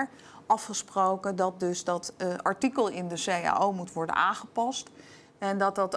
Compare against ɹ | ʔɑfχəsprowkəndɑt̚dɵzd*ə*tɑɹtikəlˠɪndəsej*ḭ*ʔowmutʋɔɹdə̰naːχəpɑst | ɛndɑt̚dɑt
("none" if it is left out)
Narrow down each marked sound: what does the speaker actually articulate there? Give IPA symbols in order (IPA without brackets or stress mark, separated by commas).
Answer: ɑ, a̰